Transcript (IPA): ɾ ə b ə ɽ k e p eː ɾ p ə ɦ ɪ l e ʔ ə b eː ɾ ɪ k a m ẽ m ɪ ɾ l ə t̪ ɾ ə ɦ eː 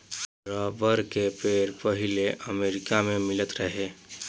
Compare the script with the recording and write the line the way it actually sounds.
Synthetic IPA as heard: ɾ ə b ə ɾ k e p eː ɾ p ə ɦ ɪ l e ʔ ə m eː ɾ ɪ k a m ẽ m ɪ l ə t̪ ɾ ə ɦ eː